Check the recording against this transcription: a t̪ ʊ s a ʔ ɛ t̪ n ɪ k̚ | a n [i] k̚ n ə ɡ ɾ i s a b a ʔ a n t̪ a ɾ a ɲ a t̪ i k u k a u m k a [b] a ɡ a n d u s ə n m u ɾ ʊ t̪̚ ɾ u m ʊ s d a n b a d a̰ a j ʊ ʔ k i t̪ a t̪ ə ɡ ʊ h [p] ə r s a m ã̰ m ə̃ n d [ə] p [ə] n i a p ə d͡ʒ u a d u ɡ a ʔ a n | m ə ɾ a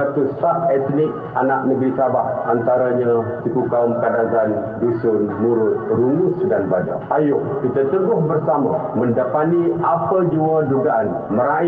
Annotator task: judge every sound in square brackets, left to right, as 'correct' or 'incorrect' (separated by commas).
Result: incorrect, incorrect, incorrect, incorrect, incorrect